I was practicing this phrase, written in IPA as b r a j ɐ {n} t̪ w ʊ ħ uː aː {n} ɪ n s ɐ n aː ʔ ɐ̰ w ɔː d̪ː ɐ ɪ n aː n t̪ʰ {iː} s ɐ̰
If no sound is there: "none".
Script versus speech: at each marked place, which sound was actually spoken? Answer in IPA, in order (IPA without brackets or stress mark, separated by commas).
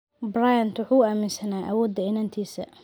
n, m, iː